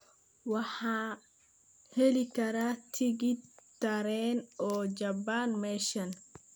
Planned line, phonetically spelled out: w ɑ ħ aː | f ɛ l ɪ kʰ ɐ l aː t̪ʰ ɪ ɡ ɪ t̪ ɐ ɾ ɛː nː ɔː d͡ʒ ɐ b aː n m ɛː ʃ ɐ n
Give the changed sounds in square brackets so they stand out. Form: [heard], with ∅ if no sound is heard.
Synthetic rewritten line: w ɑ ħ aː | [h] ɛ l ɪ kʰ ɐ [ɾ] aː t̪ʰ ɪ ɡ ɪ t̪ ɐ ɾ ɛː [n] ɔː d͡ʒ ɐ b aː n m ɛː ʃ ɐ n